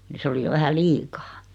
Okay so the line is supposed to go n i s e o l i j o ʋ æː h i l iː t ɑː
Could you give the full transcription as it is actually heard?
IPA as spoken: n i s e o l i j o ʋ æ h æ l iː k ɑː